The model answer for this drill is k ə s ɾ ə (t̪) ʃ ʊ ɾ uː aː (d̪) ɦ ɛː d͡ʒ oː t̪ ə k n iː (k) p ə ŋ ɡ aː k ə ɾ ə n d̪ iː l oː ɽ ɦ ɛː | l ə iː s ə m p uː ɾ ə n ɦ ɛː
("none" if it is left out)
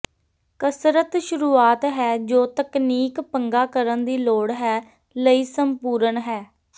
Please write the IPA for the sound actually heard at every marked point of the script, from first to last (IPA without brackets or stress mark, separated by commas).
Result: t̪, t̪, k